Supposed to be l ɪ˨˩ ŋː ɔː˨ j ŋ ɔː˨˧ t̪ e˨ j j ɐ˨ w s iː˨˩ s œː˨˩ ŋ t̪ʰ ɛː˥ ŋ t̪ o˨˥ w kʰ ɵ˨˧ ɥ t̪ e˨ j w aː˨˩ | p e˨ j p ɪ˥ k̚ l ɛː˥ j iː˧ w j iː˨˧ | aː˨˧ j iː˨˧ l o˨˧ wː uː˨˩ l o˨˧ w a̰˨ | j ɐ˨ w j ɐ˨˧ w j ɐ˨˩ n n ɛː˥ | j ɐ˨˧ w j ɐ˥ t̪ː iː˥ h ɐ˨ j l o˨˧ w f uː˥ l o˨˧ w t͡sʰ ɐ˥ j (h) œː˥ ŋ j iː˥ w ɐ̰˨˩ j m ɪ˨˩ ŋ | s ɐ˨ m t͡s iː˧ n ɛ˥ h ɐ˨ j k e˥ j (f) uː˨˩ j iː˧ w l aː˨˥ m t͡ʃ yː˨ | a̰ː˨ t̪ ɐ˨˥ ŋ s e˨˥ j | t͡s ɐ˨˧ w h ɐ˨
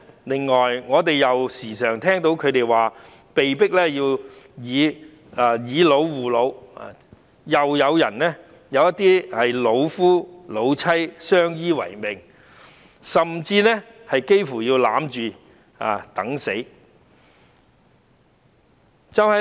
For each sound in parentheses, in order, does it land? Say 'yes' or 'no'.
no, yes

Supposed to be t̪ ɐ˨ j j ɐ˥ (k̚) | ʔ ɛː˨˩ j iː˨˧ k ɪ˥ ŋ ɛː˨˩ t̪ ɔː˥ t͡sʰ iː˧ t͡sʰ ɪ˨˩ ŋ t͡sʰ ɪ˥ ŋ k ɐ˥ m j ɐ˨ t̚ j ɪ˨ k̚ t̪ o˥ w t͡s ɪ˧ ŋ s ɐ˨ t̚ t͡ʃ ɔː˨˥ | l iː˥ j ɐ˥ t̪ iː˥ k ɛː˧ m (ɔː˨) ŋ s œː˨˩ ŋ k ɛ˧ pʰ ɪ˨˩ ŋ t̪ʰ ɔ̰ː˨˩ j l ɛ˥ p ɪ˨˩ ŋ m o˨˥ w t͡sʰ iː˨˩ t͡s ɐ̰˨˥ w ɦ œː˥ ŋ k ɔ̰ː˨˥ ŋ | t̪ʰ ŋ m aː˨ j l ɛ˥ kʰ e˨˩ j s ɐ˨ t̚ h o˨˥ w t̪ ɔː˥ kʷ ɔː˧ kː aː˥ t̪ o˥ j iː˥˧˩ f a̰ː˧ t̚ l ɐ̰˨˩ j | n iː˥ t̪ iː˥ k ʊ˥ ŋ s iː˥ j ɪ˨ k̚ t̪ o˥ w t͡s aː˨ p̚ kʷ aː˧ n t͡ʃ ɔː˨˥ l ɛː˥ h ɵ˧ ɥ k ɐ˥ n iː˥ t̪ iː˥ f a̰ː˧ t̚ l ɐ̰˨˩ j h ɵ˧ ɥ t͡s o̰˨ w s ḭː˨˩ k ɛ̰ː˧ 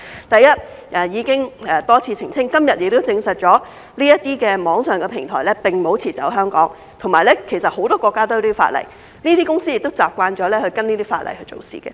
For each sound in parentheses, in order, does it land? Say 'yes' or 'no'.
no, no

